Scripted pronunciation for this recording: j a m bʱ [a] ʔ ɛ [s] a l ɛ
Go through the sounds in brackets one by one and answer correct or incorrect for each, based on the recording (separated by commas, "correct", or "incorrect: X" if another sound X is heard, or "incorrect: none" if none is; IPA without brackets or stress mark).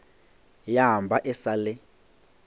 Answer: correct, correct